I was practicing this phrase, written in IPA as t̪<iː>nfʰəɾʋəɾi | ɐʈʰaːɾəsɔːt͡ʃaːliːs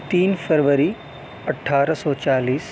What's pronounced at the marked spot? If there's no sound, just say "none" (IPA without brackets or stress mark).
iː